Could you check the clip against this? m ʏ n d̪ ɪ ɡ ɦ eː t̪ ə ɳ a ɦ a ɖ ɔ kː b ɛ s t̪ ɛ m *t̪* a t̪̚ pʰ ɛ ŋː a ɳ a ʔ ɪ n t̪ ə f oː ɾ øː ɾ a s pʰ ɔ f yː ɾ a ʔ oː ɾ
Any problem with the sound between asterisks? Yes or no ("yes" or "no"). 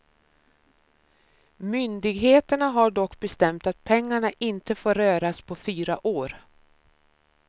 no